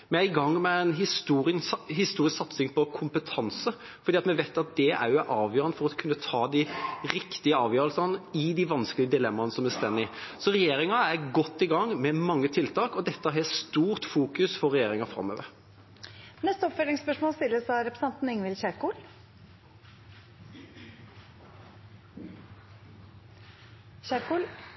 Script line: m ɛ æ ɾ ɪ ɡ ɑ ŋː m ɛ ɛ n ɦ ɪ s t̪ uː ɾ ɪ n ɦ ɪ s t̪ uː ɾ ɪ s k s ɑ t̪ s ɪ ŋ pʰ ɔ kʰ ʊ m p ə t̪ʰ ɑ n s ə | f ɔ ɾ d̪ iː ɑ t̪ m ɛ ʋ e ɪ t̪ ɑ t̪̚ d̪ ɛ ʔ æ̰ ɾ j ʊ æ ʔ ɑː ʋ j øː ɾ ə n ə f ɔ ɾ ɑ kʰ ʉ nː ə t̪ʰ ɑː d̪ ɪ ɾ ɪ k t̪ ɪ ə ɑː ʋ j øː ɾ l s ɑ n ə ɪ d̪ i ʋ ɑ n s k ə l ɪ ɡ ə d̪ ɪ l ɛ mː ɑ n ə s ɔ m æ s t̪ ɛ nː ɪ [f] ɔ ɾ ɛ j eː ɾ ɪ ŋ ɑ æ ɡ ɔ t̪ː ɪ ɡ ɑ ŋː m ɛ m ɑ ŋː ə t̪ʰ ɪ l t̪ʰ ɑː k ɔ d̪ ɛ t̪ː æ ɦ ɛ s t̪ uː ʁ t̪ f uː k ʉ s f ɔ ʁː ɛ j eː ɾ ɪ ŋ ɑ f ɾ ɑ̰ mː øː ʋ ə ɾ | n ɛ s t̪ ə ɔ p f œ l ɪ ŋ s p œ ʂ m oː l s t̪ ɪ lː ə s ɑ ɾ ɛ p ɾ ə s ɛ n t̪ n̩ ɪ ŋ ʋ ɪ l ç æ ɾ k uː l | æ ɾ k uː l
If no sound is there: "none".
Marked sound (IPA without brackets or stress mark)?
s